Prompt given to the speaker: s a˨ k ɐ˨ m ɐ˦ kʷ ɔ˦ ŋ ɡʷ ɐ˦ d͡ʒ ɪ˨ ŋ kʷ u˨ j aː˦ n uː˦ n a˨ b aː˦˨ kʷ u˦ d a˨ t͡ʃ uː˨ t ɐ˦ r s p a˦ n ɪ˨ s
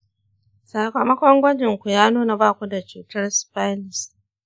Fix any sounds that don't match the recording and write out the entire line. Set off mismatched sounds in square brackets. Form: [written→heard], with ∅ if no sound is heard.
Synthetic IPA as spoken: s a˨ k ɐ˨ m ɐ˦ kʷ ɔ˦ ŋ ɡʷ ɐ˦ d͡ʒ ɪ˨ ŋ kʷ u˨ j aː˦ n uː˦ n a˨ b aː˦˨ kʷ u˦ d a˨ t͡ʃ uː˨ t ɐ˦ r s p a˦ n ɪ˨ s

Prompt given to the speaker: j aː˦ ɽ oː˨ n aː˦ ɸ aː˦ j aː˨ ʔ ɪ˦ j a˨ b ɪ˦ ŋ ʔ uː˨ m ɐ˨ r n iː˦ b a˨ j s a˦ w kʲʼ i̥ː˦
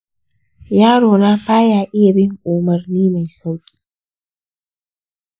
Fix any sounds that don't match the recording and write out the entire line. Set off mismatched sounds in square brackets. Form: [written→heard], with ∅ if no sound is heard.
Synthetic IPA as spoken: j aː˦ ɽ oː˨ n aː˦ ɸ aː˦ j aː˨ ʔ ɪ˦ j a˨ b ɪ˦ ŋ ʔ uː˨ m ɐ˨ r n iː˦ [b→m] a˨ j s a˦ w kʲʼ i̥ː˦

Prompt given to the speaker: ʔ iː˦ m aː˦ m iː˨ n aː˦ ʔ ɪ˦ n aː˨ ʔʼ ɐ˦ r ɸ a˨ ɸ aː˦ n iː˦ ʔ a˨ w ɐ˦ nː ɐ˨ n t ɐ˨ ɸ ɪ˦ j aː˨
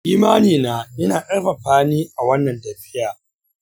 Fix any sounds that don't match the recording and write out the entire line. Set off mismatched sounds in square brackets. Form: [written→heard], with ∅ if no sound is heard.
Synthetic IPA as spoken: ʔ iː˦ m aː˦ [m→n] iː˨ n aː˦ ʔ ɪ˦ n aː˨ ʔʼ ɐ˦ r ɸ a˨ ɸ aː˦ n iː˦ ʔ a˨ w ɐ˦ nː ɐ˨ n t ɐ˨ ɸ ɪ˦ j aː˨

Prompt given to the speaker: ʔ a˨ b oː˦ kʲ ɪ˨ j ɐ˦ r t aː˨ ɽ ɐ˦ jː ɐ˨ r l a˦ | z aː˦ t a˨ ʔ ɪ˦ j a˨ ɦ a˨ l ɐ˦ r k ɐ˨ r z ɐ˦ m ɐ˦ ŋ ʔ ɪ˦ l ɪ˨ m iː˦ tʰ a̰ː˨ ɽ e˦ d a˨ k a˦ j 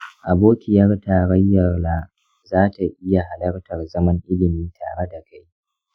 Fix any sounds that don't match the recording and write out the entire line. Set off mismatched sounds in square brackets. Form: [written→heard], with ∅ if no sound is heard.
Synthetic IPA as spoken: ʔ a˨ b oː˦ kʲ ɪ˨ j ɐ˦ r t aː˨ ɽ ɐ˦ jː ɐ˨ r l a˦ | z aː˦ t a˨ ʔ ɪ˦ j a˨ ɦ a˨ l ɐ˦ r [k→t] ɐ˨ r z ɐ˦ m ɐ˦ ŋ ʔ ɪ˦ l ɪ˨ m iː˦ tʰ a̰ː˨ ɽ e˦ d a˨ k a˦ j

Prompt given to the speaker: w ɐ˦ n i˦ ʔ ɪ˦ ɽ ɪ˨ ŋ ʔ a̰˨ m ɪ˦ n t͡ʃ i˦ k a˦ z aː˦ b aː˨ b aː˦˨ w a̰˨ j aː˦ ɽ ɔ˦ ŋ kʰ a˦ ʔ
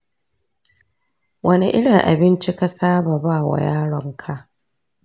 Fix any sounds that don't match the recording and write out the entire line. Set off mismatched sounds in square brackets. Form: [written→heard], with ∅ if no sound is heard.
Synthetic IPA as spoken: w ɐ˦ n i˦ ʔ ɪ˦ ɽ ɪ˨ ŋ ʔ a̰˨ [m→b] ɪ˦ n t͡ʃ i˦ k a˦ [z→s] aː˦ b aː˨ b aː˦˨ w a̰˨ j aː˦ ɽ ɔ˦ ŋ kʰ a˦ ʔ

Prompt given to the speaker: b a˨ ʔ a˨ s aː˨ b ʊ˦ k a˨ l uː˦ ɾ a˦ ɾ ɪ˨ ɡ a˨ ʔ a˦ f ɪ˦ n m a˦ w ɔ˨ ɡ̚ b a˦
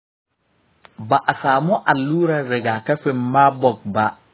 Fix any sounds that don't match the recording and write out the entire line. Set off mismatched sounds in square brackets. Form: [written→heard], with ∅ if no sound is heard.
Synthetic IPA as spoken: b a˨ ʔ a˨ s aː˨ [b→m] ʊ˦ [k→ʔ] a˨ l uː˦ ɾ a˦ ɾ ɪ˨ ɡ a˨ [ʔ→k] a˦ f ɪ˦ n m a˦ [w→b] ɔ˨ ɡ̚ b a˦

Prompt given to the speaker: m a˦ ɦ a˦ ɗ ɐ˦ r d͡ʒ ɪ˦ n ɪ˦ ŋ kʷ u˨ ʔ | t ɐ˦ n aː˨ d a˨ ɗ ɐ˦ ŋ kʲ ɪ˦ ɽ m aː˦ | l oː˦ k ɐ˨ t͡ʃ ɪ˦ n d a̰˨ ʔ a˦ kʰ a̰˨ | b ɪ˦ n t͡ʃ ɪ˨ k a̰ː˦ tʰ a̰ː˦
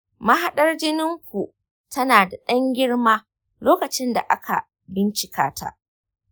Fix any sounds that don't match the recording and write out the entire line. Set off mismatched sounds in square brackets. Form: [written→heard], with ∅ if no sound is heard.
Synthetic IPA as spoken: m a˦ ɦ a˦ ɗ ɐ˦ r d͡ʒ ɪ˦ n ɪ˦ ŋ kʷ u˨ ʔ | t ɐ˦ n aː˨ d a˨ ɗ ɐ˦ ŋ [kʲ→ɡʲ] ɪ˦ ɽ m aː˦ | l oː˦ k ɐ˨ t͡ʃ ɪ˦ n d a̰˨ ʔ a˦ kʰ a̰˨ | b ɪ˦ n t͡ʃ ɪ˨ k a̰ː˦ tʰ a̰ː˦

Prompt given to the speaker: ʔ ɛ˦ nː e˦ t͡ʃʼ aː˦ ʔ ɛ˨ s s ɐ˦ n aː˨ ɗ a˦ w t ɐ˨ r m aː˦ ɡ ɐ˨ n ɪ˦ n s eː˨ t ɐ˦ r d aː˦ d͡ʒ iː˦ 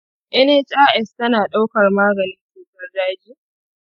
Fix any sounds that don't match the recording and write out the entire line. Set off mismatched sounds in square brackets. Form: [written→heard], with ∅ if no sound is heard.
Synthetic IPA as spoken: ʔ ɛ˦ [nː→n] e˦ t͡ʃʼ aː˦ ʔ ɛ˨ s [s→t] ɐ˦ n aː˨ ɗ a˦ w [t→k] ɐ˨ r m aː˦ ɡ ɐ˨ n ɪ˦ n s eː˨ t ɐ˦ r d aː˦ d͡ʒ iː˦

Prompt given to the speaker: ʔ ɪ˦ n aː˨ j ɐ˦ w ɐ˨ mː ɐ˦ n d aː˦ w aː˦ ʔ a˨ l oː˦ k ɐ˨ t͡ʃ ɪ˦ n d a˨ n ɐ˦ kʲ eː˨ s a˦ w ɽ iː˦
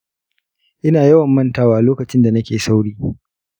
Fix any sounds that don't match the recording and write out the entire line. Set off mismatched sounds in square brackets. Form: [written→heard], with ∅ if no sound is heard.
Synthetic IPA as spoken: ʔ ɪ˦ n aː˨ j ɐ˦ w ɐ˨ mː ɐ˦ n [d→t] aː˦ w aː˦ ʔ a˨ l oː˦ k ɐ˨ t͡ʃ ɪ˦ n d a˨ n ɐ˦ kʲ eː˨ s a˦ w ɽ iː˦

